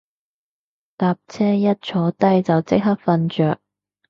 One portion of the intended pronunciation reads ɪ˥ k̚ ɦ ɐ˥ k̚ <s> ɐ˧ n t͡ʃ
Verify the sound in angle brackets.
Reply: incorrect: f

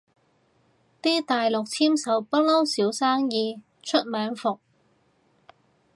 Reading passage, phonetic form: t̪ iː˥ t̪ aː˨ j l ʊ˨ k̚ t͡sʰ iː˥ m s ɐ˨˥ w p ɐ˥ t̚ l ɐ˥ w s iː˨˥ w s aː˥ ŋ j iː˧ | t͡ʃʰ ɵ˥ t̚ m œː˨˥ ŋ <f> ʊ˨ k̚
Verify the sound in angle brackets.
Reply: correct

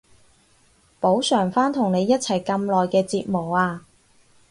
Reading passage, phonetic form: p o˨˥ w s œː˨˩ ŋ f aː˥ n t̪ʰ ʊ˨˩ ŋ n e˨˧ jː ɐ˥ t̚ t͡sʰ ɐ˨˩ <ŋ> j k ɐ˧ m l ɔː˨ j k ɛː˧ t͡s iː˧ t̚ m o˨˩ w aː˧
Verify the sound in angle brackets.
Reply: incorrect: none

